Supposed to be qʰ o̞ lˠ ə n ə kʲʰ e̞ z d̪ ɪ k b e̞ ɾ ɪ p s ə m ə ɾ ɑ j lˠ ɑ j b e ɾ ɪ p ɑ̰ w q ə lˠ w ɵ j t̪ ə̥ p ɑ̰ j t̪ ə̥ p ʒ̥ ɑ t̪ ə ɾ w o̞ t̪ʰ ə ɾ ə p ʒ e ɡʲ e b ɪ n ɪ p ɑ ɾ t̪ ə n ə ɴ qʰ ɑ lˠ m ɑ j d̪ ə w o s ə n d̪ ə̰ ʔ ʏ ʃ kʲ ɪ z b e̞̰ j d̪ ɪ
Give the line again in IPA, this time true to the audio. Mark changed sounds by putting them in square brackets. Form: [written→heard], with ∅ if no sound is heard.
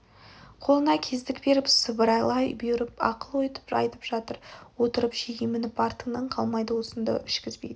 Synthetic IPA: qʰ o̞ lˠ ə n [ə→ɑ] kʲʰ e̞ z d̪ ɪ k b e̞ ɾ ɪ p s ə [m→b] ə ɾ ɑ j lˠ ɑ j b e ɾ ɪ p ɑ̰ [w→∅] q ə lˠ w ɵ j t̪ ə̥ p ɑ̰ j t̪ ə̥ p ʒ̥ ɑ t̪ ə ɾ w o̞ [t̪ʰ→t̪] ə ɾ ə p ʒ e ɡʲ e [b→m] ɪ n ɪ p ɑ ɾ t̪ ə n ə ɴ qʰ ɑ lˠ m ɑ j d̪ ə w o s ə n d̪ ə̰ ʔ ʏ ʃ kʲ ɪ z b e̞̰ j d̪ ɪ